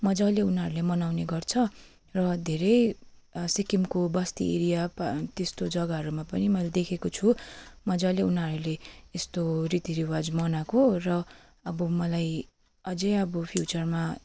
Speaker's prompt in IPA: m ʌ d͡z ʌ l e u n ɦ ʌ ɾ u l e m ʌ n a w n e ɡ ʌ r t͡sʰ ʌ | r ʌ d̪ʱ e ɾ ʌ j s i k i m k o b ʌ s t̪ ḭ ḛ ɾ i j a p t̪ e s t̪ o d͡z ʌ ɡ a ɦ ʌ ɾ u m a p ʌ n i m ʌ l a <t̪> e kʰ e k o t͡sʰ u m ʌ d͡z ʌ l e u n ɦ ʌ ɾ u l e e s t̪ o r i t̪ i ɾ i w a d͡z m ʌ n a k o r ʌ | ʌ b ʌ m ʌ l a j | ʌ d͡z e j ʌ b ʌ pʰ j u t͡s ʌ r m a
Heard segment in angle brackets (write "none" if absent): d̪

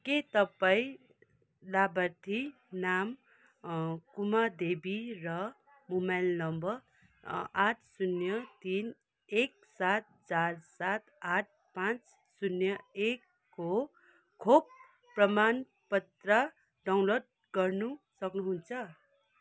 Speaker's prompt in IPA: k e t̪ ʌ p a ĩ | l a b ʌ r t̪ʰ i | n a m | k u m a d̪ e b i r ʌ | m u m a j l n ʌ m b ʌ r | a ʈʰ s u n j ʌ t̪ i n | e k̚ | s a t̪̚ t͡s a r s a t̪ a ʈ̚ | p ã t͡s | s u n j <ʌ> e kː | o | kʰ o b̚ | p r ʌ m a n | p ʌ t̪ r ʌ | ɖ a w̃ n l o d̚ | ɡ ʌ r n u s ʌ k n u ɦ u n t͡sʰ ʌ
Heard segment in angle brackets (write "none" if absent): ʌ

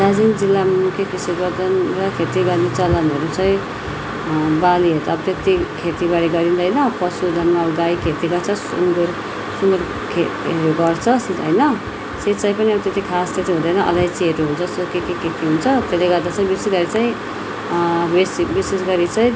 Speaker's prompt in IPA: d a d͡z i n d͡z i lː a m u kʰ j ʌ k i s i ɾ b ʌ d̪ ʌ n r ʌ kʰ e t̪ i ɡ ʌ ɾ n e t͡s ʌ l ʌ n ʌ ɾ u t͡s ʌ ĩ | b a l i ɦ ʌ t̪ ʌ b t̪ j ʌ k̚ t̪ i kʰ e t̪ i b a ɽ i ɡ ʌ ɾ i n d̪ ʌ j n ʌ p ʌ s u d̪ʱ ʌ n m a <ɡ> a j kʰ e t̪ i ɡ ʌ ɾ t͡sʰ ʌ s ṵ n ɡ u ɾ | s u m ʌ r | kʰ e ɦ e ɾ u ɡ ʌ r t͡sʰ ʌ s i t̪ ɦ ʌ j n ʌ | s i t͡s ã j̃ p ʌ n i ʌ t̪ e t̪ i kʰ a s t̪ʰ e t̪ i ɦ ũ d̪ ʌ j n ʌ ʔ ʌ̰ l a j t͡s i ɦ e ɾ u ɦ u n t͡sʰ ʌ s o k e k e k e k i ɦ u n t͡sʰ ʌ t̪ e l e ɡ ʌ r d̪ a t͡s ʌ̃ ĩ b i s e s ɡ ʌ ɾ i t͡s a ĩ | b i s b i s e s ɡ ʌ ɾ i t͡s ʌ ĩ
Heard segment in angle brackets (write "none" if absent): ɡ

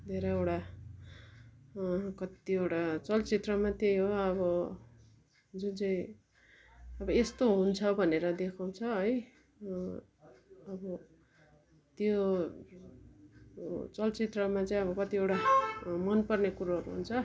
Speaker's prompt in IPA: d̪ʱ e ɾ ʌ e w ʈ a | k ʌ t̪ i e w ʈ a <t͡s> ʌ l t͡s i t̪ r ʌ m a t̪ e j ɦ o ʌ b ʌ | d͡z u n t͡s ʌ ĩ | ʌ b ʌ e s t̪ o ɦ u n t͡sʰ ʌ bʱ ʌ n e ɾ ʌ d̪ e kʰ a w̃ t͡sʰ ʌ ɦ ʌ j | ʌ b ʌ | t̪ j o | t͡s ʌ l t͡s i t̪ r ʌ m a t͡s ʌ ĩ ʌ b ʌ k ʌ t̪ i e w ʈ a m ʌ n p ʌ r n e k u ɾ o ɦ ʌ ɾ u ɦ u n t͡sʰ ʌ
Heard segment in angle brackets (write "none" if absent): t͡s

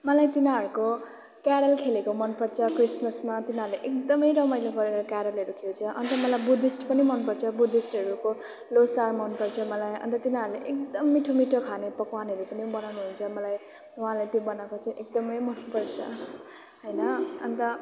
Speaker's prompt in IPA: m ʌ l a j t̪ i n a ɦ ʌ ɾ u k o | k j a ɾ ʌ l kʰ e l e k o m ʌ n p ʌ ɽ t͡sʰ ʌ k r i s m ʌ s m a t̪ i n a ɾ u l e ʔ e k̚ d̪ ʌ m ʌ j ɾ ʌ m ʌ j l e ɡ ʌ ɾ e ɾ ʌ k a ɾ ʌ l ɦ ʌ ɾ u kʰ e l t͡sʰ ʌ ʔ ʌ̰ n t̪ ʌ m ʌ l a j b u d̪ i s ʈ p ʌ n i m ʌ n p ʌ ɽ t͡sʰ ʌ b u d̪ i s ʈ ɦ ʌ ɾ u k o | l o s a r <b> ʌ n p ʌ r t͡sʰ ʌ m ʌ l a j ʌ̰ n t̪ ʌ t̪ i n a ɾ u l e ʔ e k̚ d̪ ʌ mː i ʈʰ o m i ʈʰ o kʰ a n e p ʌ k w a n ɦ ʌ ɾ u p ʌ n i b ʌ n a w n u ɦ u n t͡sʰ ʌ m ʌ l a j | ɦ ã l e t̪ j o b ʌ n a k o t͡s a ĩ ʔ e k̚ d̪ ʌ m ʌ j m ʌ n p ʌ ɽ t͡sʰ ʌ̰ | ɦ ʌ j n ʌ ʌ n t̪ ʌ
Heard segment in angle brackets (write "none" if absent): m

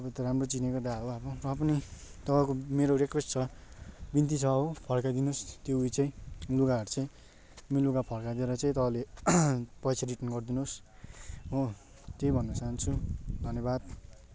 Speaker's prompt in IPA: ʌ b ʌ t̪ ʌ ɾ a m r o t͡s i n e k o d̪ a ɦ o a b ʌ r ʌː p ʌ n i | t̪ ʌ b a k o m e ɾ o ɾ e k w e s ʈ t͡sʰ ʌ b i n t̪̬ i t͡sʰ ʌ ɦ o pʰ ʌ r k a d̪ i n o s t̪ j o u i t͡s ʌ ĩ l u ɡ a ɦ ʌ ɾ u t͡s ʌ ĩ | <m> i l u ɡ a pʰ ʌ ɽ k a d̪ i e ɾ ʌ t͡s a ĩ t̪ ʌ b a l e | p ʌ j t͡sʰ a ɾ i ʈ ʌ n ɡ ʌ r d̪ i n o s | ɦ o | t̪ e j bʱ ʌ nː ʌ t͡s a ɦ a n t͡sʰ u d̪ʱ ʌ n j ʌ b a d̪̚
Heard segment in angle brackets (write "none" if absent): m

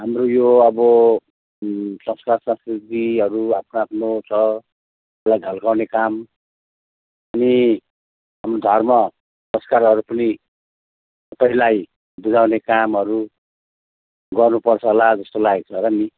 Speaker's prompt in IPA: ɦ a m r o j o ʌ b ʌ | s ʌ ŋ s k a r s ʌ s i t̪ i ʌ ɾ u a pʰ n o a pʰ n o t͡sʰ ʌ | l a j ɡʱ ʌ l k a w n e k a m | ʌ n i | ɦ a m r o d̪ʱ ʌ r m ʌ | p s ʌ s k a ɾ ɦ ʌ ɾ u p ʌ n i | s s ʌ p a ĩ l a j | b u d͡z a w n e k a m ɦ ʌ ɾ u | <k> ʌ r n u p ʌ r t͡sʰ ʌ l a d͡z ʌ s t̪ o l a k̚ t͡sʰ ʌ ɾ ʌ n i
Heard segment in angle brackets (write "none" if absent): ɡ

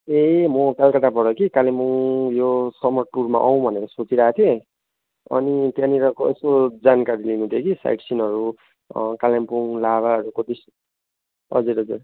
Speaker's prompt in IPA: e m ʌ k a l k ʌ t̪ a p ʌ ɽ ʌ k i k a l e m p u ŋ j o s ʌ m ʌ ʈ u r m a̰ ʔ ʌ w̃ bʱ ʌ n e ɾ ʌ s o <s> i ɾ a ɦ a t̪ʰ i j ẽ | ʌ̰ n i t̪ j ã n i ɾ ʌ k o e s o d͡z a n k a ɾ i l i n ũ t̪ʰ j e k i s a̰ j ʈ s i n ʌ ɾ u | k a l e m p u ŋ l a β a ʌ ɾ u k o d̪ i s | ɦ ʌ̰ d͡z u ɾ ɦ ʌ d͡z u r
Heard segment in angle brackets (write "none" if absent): t͡s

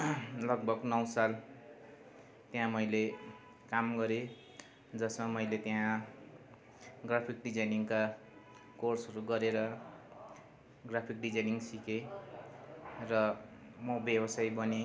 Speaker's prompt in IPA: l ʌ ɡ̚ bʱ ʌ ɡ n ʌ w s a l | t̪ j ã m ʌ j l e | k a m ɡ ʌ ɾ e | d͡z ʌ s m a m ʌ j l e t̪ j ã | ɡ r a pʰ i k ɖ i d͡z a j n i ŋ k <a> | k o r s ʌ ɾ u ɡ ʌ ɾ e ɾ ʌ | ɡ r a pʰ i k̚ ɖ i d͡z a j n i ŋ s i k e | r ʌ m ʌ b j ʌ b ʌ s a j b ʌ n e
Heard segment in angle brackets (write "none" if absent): a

